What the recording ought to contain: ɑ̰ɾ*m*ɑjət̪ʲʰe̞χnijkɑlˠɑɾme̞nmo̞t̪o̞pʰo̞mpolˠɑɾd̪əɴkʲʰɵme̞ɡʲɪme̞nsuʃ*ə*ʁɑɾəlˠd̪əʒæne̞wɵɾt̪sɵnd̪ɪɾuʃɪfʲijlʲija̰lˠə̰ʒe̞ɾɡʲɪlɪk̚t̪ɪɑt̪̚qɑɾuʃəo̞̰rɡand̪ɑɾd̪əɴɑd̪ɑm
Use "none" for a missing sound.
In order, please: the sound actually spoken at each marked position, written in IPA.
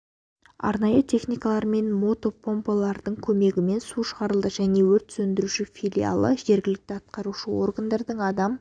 n, ə

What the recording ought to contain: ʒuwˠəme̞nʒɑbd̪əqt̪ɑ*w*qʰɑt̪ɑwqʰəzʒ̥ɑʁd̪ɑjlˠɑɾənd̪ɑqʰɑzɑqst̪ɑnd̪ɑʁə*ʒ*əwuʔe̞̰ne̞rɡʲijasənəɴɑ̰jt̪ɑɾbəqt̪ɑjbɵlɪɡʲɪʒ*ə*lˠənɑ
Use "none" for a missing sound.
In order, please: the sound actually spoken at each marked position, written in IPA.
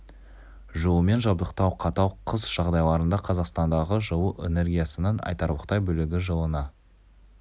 w, ʒ, ə

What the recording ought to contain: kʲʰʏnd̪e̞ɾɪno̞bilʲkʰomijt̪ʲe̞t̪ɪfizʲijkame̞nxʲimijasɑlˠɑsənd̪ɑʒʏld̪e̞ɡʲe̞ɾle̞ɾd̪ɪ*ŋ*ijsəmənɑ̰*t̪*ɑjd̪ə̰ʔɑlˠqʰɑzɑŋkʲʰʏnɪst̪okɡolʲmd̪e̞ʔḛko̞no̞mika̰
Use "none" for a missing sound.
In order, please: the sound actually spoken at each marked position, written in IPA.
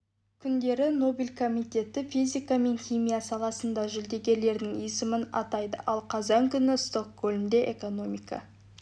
ŋ, t̪

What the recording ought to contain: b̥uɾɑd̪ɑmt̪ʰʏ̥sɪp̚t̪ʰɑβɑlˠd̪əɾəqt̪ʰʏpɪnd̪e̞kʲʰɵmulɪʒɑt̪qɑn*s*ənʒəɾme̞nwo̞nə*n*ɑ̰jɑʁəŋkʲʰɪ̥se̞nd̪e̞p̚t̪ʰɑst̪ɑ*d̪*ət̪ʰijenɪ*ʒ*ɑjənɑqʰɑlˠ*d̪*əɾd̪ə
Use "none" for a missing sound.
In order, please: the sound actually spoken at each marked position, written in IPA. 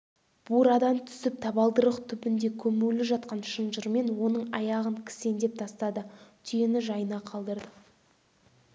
ʃ, ɴ, d̪, ʒ, d̪

